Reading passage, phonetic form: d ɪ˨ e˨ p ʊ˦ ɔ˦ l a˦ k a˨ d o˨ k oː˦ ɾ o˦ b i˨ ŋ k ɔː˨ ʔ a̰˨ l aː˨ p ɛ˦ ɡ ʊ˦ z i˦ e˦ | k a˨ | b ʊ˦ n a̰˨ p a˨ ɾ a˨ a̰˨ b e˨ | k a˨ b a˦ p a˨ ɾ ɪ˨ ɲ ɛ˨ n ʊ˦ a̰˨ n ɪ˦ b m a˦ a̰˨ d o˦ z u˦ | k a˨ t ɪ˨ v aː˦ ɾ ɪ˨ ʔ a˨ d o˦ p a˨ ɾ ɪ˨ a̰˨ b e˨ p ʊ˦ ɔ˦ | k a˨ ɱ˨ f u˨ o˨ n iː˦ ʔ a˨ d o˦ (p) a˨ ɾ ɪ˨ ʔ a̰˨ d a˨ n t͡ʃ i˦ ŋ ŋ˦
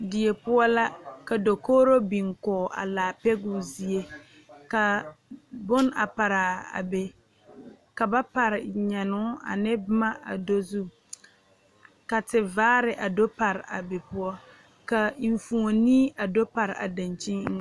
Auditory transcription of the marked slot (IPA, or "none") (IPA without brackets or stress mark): p